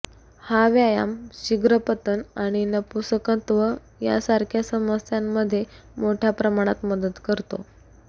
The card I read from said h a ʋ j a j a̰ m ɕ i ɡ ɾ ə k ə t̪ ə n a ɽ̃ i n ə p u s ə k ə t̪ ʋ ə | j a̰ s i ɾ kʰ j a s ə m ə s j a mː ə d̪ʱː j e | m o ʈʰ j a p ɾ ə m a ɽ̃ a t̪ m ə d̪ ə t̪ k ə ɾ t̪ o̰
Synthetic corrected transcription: h a ʋ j a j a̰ m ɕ i ɡ ɾ ə p ə t̪ ə n a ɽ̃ i n ə p u s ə k ə t̪ ʋ ə | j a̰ s a ɾ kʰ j a s ə m ə s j a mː ə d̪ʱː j e | m o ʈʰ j a p ɾ ə m a ɽ̃ a t̪ m ə d̪ ə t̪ k ə ɾ t̪ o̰

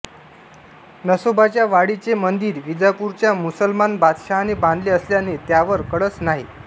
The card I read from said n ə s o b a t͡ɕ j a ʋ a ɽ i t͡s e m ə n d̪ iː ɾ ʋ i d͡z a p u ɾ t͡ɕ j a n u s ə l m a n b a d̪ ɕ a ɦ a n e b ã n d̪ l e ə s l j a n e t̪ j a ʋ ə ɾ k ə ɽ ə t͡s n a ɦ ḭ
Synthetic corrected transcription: n ə s o b a t͡ɕ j a ʋ a ɽ i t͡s e m ə n d̪ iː ɾ ʋ i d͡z a p u ɾ t͡ɕ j a m u s ə l m a n b a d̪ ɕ a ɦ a n e b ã n d̪ l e ə s l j a n e t̪ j a ʋ ə ɾ k ə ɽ ə t͡s n a ɦ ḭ

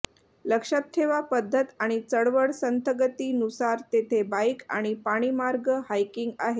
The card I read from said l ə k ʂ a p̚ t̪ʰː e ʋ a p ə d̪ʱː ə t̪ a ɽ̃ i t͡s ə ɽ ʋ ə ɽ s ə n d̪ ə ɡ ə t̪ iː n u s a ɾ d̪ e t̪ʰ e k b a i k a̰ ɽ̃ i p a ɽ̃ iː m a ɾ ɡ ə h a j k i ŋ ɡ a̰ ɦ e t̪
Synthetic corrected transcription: l ə k ʂ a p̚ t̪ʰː e ʋ a p ə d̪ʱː ə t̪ a ɽ̃ i t͡s ə ɽ ʋ ə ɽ s ə n t̪ ə ɡ ə t̪ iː n u s a ɾ t̪ e t̪ʰ e b a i k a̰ ɽ̃ i p a ɽ̃ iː m a ɾ ɡ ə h a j k i ŋ ɡ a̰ ɦ e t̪

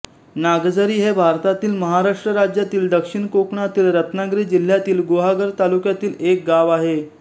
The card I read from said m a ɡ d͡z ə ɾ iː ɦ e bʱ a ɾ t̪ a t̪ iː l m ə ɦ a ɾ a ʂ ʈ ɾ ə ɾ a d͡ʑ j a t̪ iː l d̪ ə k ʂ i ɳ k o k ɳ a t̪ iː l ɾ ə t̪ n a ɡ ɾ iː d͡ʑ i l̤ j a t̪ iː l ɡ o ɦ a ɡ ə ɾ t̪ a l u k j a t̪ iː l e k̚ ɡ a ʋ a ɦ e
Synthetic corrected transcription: n a ɡ d͡z ə ɾ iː ɦ e bʱ a ɾ t̪ a t̪ iː l m ə ɦ a ɾ a ʂ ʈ ɾ ə ɾ a d͡ʑ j a t̪ iː l d̪ ə k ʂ i ɳ k o k ɳ a t̪ iː l ɾ ə t̪ n a ɡ ɾ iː d͡ʑ i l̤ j a t̪ iː l ɡ o ɦ a ɡ ə ɾ t̪ a l u k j a t̪ iː l e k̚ ɡ a ʋ a ɦ e

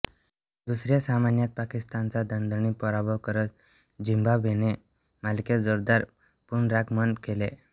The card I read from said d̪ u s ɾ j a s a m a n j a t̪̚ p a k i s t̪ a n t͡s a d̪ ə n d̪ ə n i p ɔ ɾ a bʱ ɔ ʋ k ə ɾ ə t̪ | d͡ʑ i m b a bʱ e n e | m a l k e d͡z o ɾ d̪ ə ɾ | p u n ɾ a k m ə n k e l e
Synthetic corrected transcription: d̪ u s ɾ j a s a m a n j a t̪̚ p a k i s t̪ a n t͡s a d̪ ə n d̪ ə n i p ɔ ɾ a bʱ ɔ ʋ k ə ɾ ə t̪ | d͡ʑ i m b a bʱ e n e | m a l k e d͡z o ɾ d̪ a ɾ | p u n ɾ a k m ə n k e l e

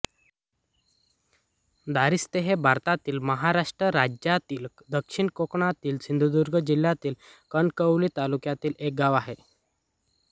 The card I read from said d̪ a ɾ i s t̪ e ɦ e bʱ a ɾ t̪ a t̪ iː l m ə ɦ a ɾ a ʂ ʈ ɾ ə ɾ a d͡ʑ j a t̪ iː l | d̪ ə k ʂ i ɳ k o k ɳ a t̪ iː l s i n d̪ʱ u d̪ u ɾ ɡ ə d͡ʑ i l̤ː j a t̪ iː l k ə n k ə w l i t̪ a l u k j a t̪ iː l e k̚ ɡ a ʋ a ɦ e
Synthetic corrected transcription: d̪ a ɾ i s t̪ e ɦ e bʱ a ɾ t̪ a t̪ iː l m ə ɦ a ɾ a ʂ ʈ ɾ ə ɾ a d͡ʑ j a t̪ iː l | d̪ ə k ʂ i ɳ k o k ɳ a t̪ iː l s i n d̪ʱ u d̪ u ɾ ɡ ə d͡ʑ i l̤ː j a t̪ iː l k ə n k ə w l i t̪ a l u k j a t̪ iː l e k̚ ɡ a ʋ a ɦ e

